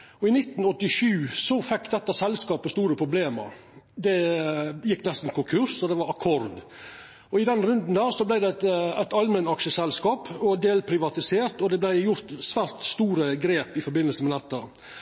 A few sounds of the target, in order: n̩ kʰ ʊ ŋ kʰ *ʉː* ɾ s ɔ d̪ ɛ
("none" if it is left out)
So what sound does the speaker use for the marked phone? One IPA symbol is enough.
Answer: ʉ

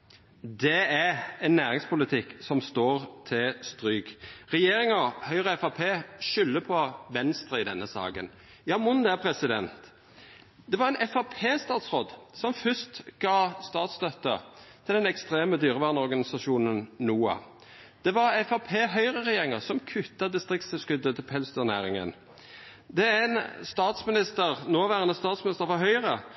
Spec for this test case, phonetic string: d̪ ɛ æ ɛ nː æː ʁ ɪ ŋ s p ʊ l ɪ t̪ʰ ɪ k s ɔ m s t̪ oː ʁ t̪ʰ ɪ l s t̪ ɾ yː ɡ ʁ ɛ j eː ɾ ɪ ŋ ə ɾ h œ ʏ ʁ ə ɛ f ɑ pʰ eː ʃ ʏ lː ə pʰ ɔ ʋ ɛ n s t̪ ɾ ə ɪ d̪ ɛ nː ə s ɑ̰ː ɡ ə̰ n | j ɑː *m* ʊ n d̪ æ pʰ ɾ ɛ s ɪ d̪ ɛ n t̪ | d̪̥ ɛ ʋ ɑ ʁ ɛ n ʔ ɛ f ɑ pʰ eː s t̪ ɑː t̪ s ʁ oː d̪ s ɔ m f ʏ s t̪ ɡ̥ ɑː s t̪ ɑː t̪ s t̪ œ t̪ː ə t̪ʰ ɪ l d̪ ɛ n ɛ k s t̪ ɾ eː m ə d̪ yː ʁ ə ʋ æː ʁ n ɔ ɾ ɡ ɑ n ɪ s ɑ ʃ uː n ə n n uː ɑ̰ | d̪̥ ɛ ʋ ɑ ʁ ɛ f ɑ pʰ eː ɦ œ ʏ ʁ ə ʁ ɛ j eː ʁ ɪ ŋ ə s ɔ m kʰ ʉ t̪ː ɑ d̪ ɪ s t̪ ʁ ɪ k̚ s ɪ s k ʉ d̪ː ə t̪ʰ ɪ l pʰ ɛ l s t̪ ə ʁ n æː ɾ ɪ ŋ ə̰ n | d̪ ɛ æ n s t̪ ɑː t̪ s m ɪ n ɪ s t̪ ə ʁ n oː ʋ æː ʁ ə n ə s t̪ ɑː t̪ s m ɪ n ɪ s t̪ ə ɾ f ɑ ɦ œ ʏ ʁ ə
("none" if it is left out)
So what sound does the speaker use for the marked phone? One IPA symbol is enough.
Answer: m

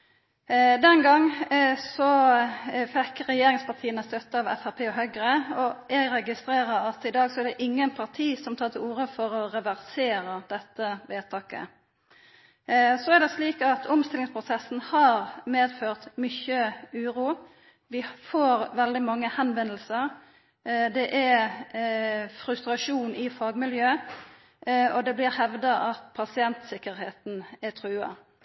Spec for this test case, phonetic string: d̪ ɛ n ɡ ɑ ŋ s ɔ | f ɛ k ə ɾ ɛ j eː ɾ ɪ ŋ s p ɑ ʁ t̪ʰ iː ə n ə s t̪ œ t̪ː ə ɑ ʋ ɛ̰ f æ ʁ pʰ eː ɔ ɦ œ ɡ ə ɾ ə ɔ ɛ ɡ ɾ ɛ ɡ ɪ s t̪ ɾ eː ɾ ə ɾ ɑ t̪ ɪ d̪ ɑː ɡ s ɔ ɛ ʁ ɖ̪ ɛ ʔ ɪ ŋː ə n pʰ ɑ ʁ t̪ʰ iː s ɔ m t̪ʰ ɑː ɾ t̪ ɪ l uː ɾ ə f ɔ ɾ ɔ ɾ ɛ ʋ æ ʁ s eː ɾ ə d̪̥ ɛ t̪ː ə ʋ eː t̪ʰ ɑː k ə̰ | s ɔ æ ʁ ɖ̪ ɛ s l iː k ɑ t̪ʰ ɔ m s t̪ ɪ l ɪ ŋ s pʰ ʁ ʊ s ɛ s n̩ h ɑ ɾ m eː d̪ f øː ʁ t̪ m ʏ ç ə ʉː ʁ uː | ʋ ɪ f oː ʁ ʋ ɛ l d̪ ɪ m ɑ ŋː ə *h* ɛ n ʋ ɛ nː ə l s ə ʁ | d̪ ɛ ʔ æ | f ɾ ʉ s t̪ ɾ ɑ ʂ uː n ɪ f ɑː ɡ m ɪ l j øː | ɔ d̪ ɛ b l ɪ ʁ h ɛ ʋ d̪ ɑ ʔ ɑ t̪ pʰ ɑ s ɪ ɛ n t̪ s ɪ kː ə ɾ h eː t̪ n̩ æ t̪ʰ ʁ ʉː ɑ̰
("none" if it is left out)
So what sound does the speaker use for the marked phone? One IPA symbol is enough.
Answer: h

